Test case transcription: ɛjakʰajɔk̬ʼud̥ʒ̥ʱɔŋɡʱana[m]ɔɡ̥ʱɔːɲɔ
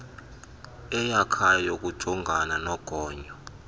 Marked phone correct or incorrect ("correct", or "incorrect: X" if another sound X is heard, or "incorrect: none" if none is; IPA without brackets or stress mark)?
incorrect: n